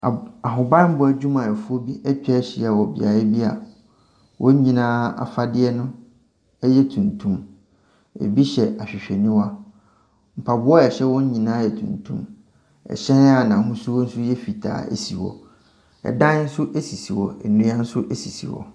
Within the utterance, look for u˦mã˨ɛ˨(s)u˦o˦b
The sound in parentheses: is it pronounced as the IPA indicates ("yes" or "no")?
no